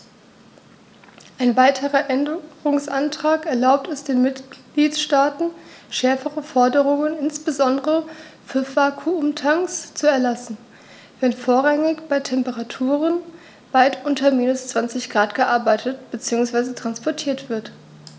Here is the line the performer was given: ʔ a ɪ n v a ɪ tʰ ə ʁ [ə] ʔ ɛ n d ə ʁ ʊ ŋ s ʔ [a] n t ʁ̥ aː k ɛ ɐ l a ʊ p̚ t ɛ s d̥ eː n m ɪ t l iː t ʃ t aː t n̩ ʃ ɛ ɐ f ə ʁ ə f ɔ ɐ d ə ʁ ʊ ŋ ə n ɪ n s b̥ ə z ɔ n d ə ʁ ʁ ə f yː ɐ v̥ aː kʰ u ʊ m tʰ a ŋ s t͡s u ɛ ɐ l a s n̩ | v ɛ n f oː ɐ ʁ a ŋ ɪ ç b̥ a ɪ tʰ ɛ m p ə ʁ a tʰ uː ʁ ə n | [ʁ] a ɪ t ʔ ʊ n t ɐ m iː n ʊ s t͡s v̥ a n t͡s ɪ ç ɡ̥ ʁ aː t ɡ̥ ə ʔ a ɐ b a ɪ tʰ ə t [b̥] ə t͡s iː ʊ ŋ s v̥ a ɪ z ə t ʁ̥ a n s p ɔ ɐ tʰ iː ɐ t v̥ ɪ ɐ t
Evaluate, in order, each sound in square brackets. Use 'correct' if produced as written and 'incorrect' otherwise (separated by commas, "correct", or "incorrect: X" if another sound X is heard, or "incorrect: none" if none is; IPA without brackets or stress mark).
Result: incorrect: ɐ, correct, incorrect: v, correct